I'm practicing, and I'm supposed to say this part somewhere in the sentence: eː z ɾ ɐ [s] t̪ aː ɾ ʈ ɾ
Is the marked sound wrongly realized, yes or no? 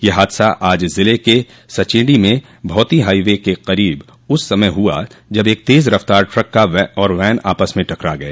yes